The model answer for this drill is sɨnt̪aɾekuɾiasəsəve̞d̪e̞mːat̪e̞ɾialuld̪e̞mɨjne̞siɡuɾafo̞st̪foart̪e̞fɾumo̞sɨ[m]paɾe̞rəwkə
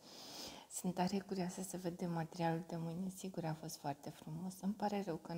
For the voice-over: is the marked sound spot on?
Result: yes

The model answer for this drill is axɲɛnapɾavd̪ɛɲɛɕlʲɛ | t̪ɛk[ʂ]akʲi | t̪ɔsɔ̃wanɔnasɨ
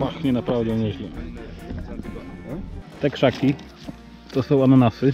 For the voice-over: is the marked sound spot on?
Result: yes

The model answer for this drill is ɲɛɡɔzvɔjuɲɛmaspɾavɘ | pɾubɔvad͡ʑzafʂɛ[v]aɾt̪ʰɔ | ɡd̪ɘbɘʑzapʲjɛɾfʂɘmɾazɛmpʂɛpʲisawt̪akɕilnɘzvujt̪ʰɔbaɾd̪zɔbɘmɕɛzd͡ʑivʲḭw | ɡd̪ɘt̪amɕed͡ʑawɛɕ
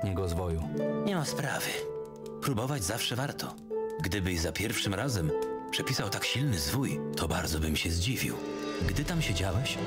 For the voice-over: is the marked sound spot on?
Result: yes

